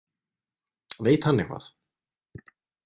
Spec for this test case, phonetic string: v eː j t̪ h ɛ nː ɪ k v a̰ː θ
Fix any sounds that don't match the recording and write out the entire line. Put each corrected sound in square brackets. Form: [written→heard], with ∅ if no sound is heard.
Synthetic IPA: v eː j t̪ h [ɛ→a] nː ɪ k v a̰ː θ